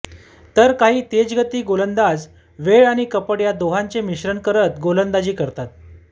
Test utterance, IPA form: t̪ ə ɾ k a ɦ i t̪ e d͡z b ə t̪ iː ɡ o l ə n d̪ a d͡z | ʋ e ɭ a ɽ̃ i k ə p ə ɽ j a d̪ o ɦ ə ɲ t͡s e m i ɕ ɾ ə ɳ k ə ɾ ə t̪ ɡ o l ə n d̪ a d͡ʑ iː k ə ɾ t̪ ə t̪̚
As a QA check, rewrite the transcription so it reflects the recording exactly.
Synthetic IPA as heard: t̪ ə ɾ k a ɦ iː t̪ e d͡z ɡ ə t̪ iː ɡ o l ə n d̪ a d͡z | ʋ e ɭ a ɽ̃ i k ə p ə ɽ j a d̪ o ɦ a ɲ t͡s e m i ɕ ɾ ə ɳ k ə ɾ ə t̪ ɡ o l ə n d̪ a d͡ʑ iː k ə ɾ t̪ a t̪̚

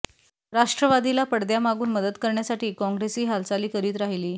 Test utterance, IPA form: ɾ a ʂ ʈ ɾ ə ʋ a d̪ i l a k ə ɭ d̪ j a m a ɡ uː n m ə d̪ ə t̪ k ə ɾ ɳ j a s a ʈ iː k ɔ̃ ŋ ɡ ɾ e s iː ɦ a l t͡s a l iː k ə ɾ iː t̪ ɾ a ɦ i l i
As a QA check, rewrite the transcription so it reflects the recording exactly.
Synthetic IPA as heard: ɾ a ʂ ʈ ɾ ə ʋ a d̪ i l a p ə ɽ d̪ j a m a ɡ uː n m ə d̪ ə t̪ k ə ɾ ɳ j a s a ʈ iː k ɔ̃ ŋ ɡ ɾ e s iː ɦ a l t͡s a l iː k ə ɾ iː t̪ ɾ a ɦ i l iː

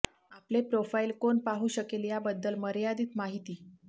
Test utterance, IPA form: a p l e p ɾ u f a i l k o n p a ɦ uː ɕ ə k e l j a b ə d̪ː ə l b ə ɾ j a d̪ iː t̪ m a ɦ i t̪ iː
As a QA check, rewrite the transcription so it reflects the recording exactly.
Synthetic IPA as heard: a p l e p ɾ o f a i l k o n p a ɦ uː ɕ ə k e l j a b ə d̪ː ə l m ə ɾ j a d̪ iː t̪ m a ɦ i t̪ iː

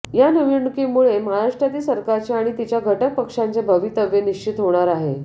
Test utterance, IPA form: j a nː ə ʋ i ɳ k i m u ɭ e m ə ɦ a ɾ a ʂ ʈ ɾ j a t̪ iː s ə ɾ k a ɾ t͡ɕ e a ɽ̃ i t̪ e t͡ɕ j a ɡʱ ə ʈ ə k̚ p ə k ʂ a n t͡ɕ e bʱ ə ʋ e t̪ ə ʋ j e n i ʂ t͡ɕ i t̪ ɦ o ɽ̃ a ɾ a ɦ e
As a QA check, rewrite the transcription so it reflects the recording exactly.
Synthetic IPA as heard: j a n ə ʋ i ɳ k i m u ɭ e m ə ɦ a ɾ a ʂ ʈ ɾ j a t̪ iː s ə ɾ k a ɾ t͡ɕ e a ɽ̃ i t̪ i t͡ɕ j a ɡʱ ə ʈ ə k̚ p ə k ʂ a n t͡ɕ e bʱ ə ʋ i t̪ ə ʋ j e n i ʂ t͡ɕ i t̪ ɦ o ɽ̃ a ɾ a ɦ e

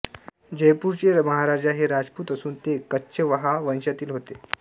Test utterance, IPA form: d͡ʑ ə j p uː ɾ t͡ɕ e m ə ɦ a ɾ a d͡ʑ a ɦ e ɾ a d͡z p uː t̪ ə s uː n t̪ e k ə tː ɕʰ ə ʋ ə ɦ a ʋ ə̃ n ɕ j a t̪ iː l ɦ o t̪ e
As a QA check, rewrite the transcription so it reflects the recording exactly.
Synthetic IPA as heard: d͡ʑ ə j p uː ɾ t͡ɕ e m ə ɦ a ɾ a d͡ʑ a ɦ e ɾ a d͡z p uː t̪ ə s uː n t̪ e k ə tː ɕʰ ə ʋ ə ɦ a ʋ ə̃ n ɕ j a t̪ iː l ɦ o t̪ e

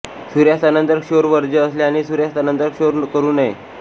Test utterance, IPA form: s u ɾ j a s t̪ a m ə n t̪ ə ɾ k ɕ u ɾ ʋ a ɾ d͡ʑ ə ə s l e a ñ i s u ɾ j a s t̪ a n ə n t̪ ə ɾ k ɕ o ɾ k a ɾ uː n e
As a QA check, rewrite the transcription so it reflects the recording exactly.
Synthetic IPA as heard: s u ɾ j a s t̪ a n ə n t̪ ə ɾ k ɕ o ɾ ʋ ə ɾ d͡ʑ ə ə s l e a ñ i s u ɾ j a s t̪ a n ə n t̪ ə ɾ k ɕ o ɾ k ə ɾ uː n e

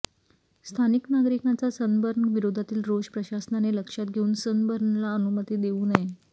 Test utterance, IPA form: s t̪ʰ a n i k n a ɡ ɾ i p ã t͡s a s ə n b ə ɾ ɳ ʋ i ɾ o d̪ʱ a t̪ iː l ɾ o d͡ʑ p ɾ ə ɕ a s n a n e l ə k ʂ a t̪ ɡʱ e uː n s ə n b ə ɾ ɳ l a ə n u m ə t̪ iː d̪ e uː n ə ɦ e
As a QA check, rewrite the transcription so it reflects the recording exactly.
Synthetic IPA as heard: s t̪ʰ a n i k n a ɡ ɾ i k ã t͡s a s ə n b ə ɾ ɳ ʋ i ɾ o d̪ʱ a t̪ iː l ɾ o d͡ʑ p ɾ ə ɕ a s n a n e l ə k ʂ a t̪ ɡʱ e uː n s ə n b ə ɾ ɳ l a ə n u m ə t̪ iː d̪ e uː n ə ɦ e

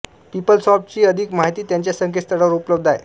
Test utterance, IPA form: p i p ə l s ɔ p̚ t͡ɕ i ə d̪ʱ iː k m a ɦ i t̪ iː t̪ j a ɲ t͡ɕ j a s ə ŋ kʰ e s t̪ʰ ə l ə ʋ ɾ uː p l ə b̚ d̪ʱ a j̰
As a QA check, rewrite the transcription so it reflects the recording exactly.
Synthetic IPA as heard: p i p ə l s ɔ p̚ t͡ɕ iː ə d̪ʱ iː k m a ɦ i t̪ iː t̪ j a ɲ t͡ɕ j a s ə ŋ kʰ e s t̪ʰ ə ɽ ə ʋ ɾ u p l ə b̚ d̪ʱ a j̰

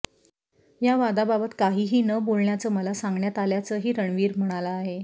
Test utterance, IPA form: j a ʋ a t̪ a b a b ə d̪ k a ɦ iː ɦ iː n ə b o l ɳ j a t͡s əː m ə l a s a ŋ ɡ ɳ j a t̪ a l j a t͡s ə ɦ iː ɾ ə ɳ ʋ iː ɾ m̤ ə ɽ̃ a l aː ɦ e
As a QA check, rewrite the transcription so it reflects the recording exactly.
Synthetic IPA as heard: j a ʋ a d̪ a b a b ə t̪ k a ɦ iː ɦ iː n ə b o l ɳ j a t͡s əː m ə l a s a ŋ ɡ ɳ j a t̪ a l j a t͡s ə ɦ iː ɾ ə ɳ ʋ iː ɾ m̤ ə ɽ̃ a l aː ɦ e

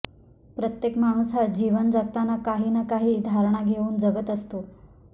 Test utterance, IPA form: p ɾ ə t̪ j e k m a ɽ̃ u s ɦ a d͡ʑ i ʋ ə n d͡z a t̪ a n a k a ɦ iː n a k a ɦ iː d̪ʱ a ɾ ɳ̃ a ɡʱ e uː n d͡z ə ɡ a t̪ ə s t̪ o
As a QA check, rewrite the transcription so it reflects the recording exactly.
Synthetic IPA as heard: p ɾ ə t̪ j e k m a ɽ̃ u s ɦ a d͡ʑ i ʋ ə n d͡z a t̪ a n a k a ɦ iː n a k a ɦ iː d̪ʱ a ɾ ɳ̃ a ɡʱ e uː n d͡z ə ɡ ə t̪ ə s t̪ o

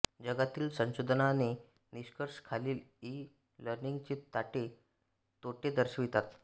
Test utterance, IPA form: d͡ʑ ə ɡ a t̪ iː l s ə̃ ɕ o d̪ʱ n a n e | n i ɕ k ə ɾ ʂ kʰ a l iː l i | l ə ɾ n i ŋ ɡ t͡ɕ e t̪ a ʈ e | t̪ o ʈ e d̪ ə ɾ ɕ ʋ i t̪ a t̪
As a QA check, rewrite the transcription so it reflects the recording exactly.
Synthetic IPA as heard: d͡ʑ ə ɡ a t̪ iː l s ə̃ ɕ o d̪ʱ n a n e | n i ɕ k ə ɾ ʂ kʰ a l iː l i | l ə ɾ n i ŋ ɡ t͡ɕ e t̪ a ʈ e | t̪ o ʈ e d̪ ə ɾ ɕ ʋ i t̪ a t̪

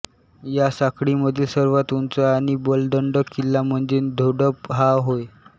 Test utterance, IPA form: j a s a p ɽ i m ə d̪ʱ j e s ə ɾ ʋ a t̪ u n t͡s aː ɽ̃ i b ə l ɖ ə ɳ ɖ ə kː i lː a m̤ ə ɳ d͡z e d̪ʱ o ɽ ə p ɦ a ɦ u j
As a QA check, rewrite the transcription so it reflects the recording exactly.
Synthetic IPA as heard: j a s a k ɽ i m ə d̪ʱ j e s ə ɾ ʋ a t̪ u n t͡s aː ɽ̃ i b ə l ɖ ə ɳ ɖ ə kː i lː a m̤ ə ɳ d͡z e d̪ʱ o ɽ ə p ɦ a ɦ o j

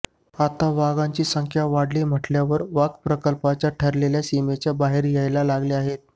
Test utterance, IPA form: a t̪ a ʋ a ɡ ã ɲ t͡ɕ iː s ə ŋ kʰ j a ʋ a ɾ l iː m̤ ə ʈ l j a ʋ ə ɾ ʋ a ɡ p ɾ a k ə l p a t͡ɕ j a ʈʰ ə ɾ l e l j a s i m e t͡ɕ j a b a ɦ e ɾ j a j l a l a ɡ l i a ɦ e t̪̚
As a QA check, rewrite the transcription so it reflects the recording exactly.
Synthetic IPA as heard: a t̪ a ʋ a ɡ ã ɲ t͡ɕ iː s ə ŋ kʰ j a ʋ a ɽ l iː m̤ ə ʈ l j a ʋ ə ɾ ʋ a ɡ p ɾ ə k ə l p a t͡ɕ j a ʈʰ ə ɾ l e l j a s i m e t͡ɕ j a b a ɦ e ɾ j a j l a l a ɡ l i a ɦ e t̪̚

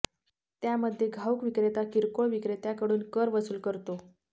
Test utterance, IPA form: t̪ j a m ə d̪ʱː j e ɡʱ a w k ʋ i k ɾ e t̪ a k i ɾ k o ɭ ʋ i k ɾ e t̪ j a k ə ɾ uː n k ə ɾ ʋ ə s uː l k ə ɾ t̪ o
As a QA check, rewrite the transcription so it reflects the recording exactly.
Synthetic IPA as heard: t̪ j a m ə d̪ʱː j e ɡʱ a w k ʋ i k ɾ e t̪ a k i ɾ k o ɭ ʋ i k ɾ e t̪ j a k ə ɽ uː n k ə ɾ ʋ ə s uː l k ə ɾ t̪ o

